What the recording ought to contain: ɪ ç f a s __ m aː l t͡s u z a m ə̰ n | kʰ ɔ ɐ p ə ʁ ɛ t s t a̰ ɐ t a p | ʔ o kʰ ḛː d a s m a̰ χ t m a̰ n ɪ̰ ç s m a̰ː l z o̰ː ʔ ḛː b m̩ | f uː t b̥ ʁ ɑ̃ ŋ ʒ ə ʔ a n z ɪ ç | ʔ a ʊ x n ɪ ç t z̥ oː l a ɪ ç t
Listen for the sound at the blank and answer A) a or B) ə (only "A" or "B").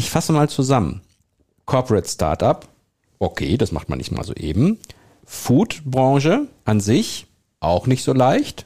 B